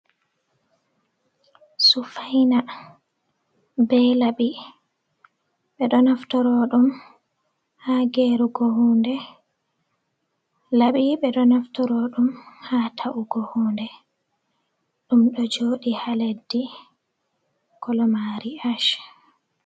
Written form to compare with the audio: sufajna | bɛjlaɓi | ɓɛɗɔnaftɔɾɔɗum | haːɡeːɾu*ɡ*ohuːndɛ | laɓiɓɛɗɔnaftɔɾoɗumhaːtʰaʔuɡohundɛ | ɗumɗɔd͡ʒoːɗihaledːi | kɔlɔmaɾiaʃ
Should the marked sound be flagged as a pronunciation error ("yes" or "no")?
no